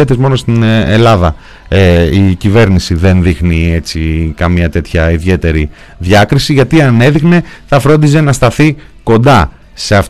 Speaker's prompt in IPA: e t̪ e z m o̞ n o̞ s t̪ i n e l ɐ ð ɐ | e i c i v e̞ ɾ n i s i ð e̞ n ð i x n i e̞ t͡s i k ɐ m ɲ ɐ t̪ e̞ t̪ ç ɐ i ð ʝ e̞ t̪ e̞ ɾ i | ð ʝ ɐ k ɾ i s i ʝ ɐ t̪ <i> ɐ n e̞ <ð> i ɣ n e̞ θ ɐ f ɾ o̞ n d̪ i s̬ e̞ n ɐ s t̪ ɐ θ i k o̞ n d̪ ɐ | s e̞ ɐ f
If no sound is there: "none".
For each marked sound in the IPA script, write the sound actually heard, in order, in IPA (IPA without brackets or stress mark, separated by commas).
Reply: i, ð